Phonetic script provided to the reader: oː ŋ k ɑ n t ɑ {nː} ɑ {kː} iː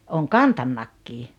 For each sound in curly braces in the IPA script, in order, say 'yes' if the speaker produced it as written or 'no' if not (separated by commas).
yes, yes